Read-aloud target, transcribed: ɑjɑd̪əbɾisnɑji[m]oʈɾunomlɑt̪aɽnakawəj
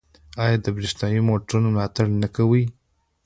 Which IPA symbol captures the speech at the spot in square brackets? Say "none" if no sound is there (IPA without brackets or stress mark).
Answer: m